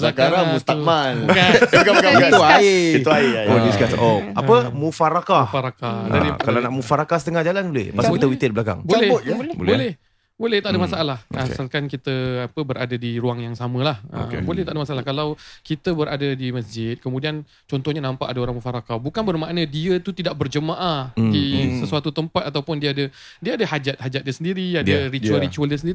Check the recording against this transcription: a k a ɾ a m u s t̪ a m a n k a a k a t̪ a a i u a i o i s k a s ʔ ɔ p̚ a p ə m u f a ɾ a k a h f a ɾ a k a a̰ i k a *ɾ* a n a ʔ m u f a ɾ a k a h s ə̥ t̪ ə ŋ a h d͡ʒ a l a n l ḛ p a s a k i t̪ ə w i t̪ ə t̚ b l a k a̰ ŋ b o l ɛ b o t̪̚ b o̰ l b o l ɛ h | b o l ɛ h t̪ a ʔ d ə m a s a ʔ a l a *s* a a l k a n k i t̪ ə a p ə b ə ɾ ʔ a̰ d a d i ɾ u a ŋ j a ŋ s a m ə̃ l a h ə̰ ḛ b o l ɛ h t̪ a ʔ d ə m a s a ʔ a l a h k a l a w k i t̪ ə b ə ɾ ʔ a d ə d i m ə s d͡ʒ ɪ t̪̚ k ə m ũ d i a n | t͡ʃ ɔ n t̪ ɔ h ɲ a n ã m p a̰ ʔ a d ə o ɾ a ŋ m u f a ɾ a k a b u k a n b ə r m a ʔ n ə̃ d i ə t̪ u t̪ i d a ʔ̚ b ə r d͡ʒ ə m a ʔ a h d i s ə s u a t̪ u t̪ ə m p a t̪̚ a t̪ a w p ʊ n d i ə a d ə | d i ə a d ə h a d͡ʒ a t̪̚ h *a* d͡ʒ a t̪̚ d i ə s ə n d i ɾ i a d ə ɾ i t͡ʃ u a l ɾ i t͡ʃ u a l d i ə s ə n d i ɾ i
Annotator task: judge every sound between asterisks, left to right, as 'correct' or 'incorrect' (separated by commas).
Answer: incorrect, incorrect, correct